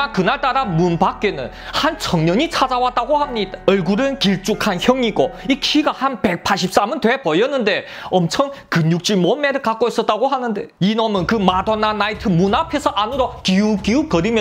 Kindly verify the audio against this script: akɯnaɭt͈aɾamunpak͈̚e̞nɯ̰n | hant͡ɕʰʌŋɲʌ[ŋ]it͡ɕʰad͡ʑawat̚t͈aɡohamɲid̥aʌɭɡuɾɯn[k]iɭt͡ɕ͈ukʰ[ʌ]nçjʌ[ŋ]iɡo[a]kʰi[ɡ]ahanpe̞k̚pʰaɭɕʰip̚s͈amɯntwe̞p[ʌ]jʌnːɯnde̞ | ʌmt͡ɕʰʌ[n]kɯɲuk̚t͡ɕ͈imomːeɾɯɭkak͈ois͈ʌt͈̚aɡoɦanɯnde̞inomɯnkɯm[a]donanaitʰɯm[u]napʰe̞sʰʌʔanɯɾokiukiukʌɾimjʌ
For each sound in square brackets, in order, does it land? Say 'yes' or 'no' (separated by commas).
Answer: no, yes, no, yes, no, yes, yes, no, yes, yes